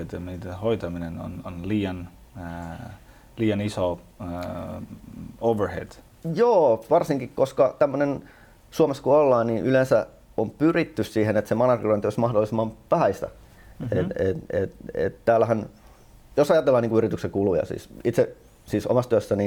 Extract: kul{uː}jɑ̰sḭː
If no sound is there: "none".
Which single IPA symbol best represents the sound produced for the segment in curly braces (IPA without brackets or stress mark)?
u